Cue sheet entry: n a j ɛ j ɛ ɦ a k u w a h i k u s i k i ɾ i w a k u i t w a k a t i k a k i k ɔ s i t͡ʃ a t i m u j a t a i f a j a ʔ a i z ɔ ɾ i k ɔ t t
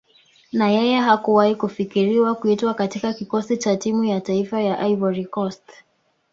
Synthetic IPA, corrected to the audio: n a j ɛ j ɛ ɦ a k u w a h i k u f i k i ɾ i w a k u i t w a k a t i k a k i k ɔ s i t͡ʃ a t i m u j a t a i f a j a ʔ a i v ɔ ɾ i k ɔ s t